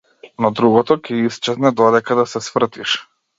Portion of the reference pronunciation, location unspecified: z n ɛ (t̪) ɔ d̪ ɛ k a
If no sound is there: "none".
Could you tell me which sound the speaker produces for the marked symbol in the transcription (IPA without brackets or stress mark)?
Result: d̪